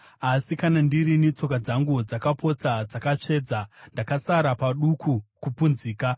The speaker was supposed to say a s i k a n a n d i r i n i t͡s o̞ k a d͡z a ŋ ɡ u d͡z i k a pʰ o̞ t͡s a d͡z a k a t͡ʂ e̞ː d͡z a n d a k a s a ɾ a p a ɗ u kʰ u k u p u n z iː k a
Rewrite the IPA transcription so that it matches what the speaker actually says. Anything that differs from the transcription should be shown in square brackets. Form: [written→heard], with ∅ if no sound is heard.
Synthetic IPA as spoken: a s i k a n a n d i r i n i t͡s o̞ k a d͡z a ŋ ɡ u d͡z [i→a] k a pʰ o̞ t͡s a d͡z a k a t͡ʂ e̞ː d͡z a n d a k a s a ɾ a p a ɗ u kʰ u k u p u n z iː k a